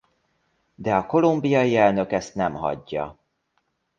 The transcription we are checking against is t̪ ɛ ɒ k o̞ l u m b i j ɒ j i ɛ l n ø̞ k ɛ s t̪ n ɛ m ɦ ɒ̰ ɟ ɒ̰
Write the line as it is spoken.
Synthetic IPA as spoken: d̪ ɛ ɒ k o̞ l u m b i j ɒ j i ɛ l n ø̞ k ɛ s t̪ n ɛ m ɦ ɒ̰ ɟː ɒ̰